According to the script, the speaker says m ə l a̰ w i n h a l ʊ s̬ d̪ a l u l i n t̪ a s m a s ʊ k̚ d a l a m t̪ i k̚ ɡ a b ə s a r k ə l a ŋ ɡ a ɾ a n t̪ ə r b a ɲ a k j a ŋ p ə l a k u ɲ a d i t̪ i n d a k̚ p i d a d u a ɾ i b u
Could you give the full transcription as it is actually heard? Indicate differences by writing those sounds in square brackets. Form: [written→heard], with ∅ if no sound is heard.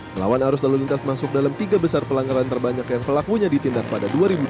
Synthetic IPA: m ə l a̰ w [i→a] n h a [l→ɾ] ʊ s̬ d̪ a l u l i n t̪ a s m a s ʊ k̚ d a l a m t̪ i [k̚→∅] ɡ a b ə s a r [k→p] ə l a ŋ ɡ a ɾ a n t̪ ə r b a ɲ a k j a ŋ p ə l a k u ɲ a d i t̪ i n d a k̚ p [i→a] d a d u a ɾ i b u

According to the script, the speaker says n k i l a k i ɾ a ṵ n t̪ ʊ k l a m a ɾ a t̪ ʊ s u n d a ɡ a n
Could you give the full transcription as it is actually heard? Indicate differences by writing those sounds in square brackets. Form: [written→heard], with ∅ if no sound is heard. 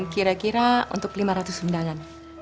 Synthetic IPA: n k i [l→ɾ] a k i ɾ a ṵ n t̪ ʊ k l [a→i] m a ɾ a t̪ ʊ s u n d a [ɡ→ŋ] a n

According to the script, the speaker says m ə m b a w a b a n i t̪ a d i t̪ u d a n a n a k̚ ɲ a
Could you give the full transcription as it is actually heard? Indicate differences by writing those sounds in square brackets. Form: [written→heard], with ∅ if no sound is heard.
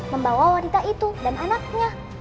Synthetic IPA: m ə m b a w a [b→w] a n i t̪ a [d→∅] i t̪ u d a n a n a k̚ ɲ a

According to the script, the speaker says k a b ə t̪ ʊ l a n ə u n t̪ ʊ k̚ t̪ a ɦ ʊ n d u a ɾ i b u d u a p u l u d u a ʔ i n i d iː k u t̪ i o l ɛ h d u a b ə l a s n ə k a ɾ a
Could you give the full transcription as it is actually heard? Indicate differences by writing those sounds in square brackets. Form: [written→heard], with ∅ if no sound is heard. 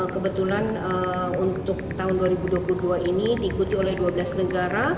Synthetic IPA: k [a→ə] b ə t̪ [ʊ→u] l a n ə u n t̪ ʊ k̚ t̪ a ɦ ʊ n d u a ɾ i b u d u a p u l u d u a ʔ i n i d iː k u t̪ i o l ɛ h d u a b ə l a s n ə [k→ɡ] a ɾ a

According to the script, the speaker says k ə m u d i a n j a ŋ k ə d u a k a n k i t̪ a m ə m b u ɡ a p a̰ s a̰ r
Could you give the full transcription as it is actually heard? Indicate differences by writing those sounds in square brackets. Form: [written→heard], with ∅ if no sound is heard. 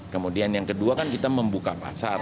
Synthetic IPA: k ə m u d i a n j a ŋ k ə d u a k a n k i t̪ a m ə m b u [ɡ→k] a p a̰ s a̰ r

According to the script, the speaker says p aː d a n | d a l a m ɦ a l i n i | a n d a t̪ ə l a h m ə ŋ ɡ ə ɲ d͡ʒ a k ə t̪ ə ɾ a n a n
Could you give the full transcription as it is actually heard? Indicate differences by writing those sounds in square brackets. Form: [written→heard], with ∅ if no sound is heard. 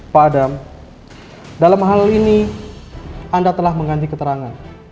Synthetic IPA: p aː d a [n→m] | d a l a m ɦ a l i n i | a n d a t̪ ə l a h m ə ŋ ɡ [ə→a] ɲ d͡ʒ [a→i] k ə t̪ ə ɾ a [n→ŋ] a n

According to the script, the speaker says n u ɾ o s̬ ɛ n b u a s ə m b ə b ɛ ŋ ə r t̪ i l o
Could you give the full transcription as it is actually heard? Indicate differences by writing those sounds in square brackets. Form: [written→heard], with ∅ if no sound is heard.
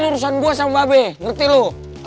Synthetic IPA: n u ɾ [o→u] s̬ [ɛ→a] n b u a s [ə→a] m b [ə→a] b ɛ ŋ ə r t̪ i l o

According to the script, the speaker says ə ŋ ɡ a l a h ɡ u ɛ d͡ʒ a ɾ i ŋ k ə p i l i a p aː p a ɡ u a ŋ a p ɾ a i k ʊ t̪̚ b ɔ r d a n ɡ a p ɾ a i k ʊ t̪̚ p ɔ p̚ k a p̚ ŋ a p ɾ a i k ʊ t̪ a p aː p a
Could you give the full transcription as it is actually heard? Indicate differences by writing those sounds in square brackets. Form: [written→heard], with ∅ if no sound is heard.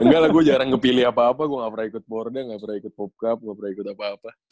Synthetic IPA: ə ŋ ɡ a l a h ɡ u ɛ d͡ʒ a ɾ [i→a] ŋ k ə p i l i a p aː p a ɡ u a ŋ a p ɾ a i k ʊ t̪̚ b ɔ r d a [n→ŋ] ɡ a p ɾ a i k ʊ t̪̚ p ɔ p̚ k a p̚ ŋ a p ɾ a i k ʊ t̪ a p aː p a

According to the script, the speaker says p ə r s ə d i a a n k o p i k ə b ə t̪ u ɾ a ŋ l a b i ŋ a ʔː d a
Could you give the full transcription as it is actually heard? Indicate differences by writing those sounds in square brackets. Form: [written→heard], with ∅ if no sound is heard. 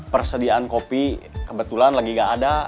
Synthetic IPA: p ə r s ə d i a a n k o p i k ə b ə t̪ u [ɾ→l] a [ŋ→n] l a [b→ɡ] i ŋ a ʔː d a

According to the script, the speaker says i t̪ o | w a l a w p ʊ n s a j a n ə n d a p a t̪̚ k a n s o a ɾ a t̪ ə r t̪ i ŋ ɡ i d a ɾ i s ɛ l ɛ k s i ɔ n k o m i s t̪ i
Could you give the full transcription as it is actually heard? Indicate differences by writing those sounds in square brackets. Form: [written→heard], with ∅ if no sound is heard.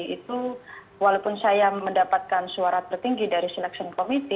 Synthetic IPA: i t̪ [o→u] | w a l a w p ʊ n s a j a [n→m] ə n d a p a t̪̚ k a n s [o→u] a ɾ a t̪ ə r t̪ i ŋ ɡ i d a ɾ i s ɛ l ɛ k s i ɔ n k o m i [s→∅] t̪ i

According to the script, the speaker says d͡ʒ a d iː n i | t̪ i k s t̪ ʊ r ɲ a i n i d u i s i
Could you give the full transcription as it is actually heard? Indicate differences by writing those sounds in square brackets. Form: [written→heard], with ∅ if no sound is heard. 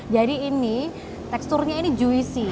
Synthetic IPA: d͡ʒ a d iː n i | t̪ [i→ɛ] k s t̪ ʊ r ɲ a i n i [d→d͡ʒ] u i s i

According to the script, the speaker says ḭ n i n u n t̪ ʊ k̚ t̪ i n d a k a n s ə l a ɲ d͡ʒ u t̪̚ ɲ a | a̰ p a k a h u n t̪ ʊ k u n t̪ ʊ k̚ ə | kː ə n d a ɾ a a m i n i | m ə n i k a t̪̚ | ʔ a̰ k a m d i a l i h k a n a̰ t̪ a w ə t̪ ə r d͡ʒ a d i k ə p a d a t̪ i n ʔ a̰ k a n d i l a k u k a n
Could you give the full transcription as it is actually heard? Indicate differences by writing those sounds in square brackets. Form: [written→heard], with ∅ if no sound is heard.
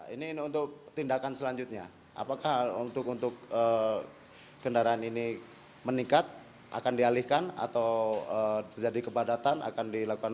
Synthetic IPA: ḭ n i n u n t̪ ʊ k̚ t̪ i n d a k a n s ə l a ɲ d͡ʒ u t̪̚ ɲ a | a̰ p a k a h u n t̪ ʊ k u n t̪ ʊ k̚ ə | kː ə n d a ɾ a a [m→n] i n i | m ə n i k a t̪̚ | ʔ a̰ k a [m→n] d i a l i h k a n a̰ t̪ a w ə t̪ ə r d͡ʒ a d i k ə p a d a t̪ [i→a] n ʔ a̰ k a n d i l a k u k a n

